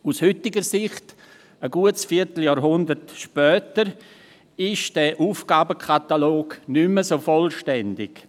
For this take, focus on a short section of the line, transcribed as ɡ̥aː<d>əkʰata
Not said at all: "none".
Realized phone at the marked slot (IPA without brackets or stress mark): b